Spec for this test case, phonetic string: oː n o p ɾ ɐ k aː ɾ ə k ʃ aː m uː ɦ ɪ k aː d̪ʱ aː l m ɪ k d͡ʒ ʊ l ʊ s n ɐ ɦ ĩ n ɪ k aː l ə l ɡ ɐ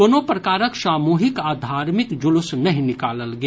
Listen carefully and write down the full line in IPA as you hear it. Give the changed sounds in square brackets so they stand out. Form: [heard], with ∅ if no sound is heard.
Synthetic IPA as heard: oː n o p ɾ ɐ k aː ɾ ə k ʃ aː m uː ɦ ɪ k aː d̪ʱ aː [ɾ] m ɪ k d͡ʒ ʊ l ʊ s n ɐ ɦ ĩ n ɪ k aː l ə l ɡ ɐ